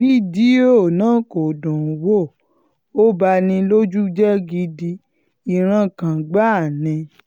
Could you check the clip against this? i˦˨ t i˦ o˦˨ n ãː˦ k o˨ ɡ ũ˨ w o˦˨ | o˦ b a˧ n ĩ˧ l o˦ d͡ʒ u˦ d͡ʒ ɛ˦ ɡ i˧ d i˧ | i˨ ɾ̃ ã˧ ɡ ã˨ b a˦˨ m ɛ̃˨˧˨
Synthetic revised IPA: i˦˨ d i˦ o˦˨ n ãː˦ k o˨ d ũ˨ w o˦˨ | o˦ b a˧ n ĩ˧ l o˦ d͡ʒ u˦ d͡ʒ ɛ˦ ɡ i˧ d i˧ | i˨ ɾ̃ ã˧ k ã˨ ɡ͡b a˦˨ n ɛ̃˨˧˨